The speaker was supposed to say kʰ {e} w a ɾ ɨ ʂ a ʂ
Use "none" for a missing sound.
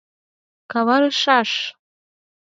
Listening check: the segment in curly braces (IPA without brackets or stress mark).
a